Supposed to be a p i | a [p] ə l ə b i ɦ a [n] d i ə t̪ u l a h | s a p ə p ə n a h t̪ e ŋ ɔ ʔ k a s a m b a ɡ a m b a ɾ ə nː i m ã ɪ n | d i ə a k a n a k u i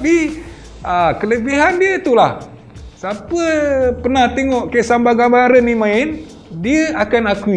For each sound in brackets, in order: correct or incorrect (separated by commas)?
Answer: incorrect, correct